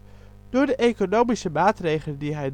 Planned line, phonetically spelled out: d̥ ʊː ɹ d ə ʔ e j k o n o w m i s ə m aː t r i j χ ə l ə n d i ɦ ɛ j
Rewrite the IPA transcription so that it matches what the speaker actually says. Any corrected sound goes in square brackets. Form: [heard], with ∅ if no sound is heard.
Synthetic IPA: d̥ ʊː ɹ d ə ʔ e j k o n o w m i s ə m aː t r [e] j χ ə l ə n d i ɦ ɛ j

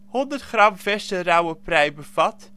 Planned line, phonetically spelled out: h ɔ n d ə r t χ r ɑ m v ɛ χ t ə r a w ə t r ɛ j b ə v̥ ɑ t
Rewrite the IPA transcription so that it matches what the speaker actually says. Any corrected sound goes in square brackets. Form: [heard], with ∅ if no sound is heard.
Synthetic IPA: h ɔ n d ə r t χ r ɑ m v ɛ [s] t ə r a w ə [p] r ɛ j b ə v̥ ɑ t

